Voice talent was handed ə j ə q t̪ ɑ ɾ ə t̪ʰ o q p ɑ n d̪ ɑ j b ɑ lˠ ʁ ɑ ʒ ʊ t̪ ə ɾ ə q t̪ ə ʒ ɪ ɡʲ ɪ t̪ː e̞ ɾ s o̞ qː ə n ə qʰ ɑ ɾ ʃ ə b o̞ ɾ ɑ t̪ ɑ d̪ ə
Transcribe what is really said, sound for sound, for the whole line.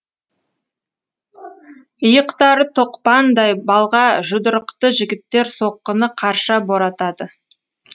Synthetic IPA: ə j ə q t̪ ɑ ɾ ə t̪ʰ o q p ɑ n d̪ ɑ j b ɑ lˠ ʁ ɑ ʒ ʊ d̪ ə ɾ ə q t̪ ə ʒ ɪ ɡʲ ɪ t̪ː e̞ ɾ s o̞ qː ə n ə qʰ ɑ ɾ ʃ ɑ b o̞ ɾ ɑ t̪ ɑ d̪ ə